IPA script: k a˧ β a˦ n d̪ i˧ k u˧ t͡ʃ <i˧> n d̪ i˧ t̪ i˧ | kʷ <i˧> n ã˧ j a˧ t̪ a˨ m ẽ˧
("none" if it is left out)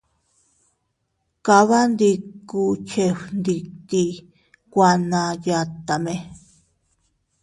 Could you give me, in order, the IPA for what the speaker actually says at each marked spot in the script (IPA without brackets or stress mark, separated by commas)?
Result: e˧, a˧